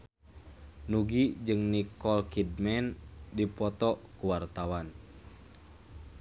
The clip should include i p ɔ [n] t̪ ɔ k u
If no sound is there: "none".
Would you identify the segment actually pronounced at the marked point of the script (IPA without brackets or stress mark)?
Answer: none